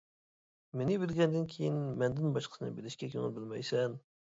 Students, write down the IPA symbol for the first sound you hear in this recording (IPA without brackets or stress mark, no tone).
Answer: m